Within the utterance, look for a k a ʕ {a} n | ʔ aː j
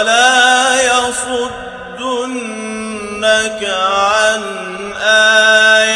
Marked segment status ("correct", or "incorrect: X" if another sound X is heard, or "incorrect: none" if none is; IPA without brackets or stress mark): correct